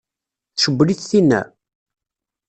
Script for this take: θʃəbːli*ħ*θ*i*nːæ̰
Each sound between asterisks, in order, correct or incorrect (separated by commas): incorrect, correct